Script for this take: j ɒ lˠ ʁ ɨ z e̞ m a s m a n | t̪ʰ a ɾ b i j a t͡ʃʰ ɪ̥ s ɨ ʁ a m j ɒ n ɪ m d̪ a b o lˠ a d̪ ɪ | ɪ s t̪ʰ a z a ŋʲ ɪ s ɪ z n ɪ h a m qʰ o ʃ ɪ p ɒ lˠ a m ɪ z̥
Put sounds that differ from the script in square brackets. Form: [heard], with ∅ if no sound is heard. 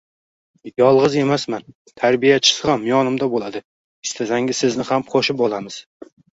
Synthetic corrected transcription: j ɒ lˠ ʁ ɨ z e̞ m a s m a n | t̪ʰ a ɾ b i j a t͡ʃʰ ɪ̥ s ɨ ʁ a m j ɒ n ɪ m d̪ a b o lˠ a d̪ ɪ | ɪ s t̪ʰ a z a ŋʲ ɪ s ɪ z n ɪ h a m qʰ o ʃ ɪ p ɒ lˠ a m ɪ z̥